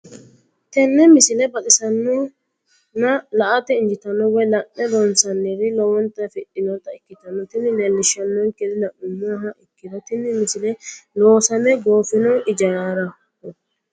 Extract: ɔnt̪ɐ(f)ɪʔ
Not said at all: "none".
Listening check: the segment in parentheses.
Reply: f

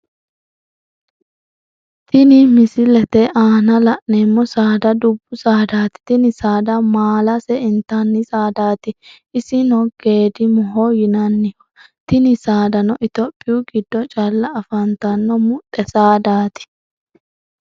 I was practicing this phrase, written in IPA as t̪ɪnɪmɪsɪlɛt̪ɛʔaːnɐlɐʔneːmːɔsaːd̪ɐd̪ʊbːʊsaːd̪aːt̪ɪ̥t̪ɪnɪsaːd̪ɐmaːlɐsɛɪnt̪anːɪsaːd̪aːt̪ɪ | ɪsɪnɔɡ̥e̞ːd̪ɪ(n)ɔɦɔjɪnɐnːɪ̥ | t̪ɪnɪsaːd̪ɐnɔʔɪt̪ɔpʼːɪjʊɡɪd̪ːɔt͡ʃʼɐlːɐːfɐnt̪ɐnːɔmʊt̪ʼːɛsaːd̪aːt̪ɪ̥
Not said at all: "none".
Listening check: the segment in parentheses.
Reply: m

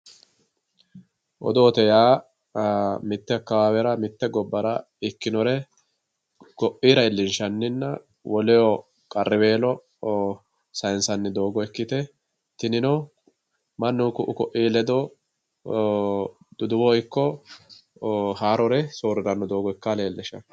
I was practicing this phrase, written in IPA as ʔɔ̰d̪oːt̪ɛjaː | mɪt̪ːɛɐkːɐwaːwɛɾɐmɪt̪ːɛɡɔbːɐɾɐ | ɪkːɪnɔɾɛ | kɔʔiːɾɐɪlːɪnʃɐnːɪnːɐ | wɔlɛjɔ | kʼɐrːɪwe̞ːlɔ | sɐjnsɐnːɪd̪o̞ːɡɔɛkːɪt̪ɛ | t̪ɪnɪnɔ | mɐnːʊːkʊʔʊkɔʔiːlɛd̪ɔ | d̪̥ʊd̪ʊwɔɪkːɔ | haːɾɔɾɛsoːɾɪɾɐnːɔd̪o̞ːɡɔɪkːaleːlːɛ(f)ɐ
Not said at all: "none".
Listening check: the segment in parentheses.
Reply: ʃ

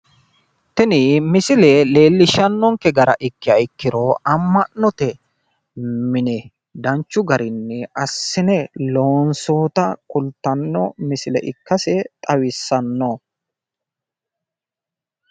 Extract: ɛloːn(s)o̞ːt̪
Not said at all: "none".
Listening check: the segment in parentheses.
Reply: s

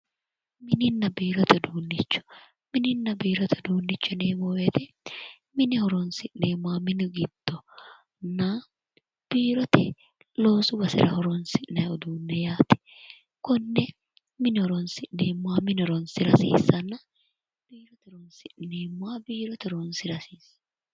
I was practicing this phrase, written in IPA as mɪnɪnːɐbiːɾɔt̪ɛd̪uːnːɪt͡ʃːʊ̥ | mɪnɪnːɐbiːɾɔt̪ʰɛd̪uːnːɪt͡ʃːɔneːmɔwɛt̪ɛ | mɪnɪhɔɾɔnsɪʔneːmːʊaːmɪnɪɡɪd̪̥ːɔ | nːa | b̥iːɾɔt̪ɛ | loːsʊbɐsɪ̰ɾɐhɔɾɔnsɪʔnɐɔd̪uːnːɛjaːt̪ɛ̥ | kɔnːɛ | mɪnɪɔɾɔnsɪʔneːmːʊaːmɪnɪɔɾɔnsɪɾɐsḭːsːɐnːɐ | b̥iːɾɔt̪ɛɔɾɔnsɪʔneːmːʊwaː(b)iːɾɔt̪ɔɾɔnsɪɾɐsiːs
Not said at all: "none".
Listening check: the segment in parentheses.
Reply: b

